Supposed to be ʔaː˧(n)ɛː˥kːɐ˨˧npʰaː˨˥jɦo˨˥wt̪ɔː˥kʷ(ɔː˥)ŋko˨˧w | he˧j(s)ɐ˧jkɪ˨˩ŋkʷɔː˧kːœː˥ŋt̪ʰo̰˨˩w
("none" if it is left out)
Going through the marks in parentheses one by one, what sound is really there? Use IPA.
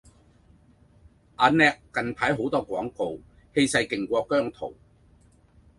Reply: n, ɔː˨˥, s

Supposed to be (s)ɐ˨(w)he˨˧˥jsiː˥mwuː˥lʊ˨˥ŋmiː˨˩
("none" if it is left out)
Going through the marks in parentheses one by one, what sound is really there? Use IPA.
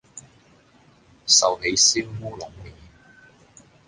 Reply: s, w

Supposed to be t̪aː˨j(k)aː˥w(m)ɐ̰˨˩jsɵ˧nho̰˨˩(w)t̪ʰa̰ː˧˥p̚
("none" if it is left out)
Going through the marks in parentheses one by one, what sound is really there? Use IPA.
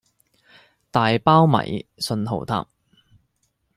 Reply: p, m, w

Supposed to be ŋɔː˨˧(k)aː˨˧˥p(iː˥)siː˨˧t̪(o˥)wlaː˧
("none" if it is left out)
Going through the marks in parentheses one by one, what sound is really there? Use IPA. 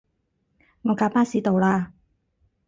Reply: k, aː˥, o˨˧

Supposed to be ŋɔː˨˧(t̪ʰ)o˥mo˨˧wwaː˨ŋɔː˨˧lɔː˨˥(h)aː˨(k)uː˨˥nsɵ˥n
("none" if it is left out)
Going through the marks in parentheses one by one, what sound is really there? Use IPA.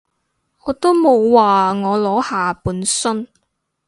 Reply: t̪, h, p

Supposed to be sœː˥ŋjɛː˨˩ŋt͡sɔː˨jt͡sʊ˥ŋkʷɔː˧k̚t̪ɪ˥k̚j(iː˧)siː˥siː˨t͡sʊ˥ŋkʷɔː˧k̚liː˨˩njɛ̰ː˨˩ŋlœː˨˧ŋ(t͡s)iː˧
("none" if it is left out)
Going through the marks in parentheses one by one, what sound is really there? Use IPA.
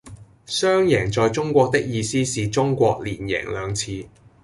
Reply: iː˧, t͡sʰ

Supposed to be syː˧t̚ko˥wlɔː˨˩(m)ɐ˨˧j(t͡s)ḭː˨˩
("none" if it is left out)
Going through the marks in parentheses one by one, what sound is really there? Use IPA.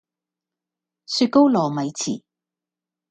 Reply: m, t͡sʰ

